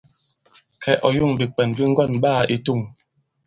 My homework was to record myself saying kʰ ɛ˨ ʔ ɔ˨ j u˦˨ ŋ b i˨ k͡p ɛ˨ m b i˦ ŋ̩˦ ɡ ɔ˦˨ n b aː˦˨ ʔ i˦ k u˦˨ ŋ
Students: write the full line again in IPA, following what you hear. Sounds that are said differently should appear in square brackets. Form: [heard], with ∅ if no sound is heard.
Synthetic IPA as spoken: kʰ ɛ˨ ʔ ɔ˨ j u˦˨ ŋ b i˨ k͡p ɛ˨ [n] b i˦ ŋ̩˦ ɡ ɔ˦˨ n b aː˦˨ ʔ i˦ [t] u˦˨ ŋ